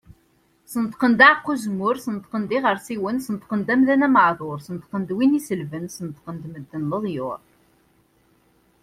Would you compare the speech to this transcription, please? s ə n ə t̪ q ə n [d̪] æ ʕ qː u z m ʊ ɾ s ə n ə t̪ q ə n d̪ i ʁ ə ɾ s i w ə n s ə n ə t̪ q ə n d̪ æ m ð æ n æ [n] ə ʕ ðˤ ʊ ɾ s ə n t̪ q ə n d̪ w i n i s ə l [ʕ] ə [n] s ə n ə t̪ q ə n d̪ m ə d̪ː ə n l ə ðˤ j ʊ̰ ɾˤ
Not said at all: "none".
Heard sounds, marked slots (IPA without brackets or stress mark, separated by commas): d̪, m, v, n